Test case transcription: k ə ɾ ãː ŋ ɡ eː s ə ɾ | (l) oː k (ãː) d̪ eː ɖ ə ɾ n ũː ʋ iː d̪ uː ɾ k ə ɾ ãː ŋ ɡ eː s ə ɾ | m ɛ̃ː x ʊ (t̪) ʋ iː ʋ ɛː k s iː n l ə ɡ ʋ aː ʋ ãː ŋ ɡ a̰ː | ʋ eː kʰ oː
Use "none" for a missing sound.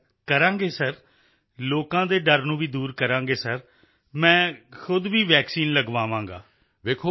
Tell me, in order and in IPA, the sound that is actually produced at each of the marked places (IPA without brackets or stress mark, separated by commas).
l, ãː, d̪